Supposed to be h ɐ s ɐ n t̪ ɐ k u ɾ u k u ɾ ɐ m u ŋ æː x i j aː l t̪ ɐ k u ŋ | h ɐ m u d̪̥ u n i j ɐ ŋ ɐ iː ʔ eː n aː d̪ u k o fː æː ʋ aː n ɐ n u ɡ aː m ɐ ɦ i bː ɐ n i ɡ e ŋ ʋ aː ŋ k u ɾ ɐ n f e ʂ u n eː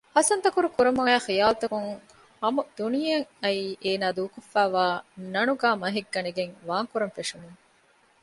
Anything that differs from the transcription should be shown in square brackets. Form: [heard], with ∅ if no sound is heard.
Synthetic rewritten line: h ɐ s ɐ n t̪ ɐ k u ɾ u k u ɾ ɐ m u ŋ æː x i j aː l t̪ ɐ k u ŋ | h ɐ m u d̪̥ u n i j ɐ ŋ ɐ iː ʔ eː n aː d̪ [uː] k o fː æː ʋ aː n ɐ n u ɡ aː m ɐ ɦ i [ɡː] ɐ n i ɡ e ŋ ʋ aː ŋ k u ɾ ɐ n f e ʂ u n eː

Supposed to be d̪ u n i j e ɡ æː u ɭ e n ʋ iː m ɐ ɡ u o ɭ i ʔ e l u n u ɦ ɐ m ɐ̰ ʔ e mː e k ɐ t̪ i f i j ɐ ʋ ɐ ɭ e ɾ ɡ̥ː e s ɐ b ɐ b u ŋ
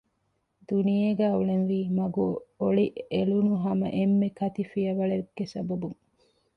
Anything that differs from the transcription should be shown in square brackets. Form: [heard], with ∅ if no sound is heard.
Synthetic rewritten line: d̪ u n i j e ɡ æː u ɭ e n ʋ iː m ɐ ɡ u o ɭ i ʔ e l u n u ɦ ɐ m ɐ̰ ʔ e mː e k ɐ t̪ i f i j ɐ ʋ ɐ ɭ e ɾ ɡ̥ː e s ɐ b ɐ b u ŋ

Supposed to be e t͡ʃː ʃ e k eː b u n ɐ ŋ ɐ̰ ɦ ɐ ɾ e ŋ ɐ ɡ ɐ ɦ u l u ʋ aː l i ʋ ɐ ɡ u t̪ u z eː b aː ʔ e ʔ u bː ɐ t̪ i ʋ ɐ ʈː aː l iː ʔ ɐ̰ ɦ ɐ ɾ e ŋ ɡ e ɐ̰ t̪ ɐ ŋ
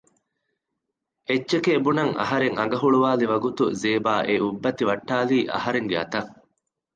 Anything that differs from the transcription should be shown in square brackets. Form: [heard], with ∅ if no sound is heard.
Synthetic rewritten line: e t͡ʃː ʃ e k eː b u n ɐ ŋ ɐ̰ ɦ ɐ ɾ e ŋ ɐ ɡ ɐ ɦ u [ɭ] u ʋ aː l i ʋ ɐ ɡ u t̪ u z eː b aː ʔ e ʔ u bː ɐ t̪ i ʋ ɐ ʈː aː l iː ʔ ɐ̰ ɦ ɐ ɾ e ŋ ɡ e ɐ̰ t̪ ɐ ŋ

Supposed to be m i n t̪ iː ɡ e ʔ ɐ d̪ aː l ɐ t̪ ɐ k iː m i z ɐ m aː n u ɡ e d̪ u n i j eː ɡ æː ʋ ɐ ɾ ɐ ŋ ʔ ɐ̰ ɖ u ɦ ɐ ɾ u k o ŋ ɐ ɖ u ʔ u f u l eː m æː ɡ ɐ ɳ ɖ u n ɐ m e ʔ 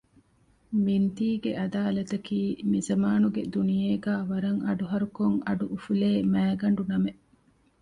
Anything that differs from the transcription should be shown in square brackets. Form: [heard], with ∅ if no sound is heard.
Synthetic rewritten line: m i n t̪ iː ɡ e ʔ ɐ d̪ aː l ɐ t̪ ɐ k iː m i z ɐ m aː n u ɡ e d̪ u n i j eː ɡ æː ʋ ɐ ɾ ɐ ŋ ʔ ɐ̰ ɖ u ɦ ɐ ɾ u k o ŋ ɐ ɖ u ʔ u f u l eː m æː ɡ ɐ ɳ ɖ u n ɐ m e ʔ

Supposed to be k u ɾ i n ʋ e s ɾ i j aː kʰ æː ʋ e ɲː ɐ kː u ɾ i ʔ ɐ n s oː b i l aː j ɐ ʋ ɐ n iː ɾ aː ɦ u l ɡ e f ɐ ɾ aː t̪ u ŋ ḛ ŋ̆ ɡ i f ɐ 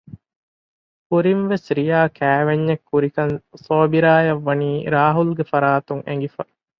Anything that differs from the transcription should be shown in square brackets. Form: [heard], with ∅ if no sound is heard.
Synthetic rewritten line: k u ɾ i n ʋ e s ɾ i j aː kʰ æː ʋ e ɲː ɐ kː u ɾ i [k] ɐ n s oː b i [ɾ] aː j ɐ [ʋː] ɐ n iː ɾ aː ɦ u l ɡ e f ɐ ɾ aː t̪ u ŋ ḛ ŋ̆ ɡ i f ɐ

